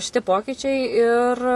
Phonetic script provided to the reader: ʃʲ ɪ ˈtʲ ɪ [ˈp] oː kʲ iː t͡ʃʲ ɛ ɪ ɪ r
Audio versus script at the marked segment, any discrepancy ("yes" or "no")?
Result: no